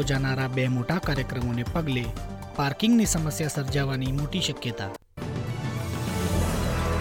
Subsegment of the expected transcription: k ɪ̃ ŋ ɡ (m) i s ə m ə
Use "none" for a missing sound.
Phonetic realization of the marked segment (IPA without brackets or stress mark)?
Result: n